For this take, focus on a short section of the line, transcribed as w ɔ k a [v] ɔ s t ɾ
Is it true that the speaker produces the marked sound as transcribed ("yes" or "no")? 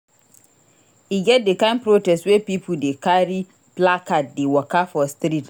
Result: no